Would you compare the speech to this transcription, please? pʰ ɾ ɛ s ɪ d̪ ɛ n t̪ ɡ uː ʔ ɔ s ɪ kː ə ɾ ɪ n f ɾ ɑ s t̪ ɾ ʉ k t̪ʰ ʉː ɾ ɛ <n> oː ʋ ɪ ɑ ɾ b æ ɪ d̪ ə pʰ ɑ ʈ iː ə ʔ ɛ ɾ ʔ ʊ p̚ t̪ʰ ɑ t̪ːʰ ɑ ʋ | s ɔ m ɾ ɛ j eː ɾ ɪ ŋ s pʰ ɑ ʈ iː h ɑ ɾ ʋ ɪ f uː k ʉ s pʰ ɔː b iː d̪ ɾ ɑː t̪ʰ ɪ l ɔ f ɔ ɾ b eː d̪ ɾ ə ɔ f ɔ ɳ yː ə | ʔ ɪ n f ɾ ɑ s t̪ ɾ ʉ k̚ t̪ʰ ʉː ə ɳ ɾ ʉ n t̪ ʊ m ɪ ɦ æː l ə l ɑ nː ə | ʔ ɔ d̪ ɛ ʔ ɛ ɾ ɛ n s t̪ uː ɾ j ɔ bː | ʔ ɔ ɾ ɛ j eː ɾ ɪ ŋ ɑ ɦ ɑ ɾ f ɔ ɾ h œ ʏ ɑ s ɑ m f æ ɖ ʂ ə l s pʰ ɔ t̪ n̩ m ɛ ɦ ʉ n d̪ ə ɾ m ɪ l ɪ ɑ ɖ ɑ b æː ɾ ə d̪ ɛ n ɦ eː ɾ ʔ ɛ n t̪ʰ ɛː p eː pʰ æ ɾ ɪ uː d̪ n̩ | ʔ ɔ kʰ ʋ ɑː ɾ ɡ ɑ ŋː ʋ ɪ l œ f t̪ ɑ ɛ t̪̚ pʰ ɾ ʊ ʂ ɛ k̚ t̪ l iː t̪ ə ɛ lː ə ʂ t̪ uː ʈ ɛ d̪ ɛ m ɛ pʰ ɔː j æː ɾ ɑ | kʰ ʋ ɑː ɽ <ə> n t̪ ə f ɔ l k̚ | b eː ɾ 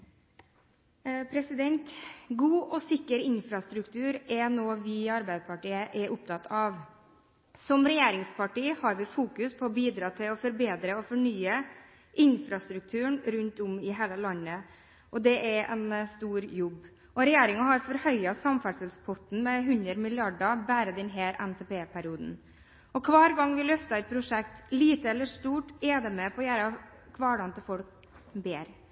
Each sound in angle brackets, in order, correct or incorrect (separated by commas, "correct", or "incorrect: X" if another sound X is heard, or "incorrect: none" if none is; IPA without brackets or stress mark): correct, incorrect: ɑ